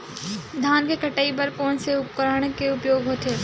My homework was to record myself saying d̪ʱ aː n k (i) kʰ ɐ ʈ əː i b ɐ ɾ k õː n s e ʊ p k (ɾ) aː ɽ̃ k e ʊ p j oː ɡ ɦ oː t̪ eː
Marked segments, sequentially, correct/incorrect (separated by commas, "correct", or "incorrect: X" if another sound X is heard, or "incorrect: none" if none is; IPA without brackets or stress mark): incorrect: e, correct